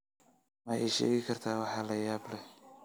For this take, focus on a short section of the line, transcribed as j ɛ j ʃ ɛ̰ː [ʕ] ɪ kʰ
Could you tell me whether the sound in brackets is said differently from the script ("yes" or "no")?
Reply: yes